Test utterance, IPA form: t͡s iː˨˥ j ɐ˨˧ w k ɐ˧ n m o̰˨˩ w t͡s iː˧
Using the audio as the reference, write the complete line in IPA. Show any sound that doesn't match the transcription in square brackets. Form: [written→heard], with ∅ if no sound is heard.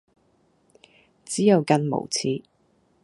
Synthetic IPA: t͡s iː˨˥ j ɐ˨˧ w k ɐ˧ n m o̰˨˩ w [t͡s→t͡sʰ] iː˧